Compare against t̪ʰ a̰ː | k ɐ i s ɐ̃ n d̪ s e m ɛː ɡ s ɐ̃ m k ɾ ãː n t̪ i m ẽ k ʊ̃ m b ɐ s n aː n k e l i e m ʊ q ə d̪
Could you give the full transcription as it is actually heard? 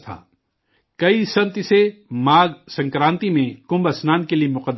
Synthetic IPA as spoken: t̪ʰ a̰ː | k ɐ i s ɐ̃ n t̪ s e m aː ɡ s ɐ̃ ŋ k ɾ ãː n t̪ i m ẽ k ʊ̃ m b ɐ s n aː n k e l i e m ʊ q ə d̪